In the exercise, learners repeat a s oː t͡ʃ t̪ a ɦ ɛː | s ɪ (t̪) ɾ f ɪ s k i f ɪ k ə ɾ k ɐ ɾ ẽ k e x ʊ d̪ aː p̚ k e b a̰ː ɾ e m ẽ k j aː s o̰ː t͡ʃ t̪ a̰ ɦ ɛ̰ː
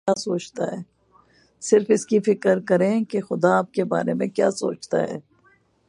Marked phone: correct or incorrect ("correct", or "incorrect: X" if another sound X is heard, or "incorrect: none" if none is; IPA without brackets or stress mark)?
incorrect: none